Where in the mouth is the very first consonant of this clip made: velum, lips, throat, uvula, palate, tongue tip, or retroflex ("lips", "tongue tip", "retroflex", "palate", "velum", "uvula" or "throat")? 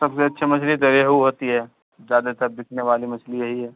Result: tongue tip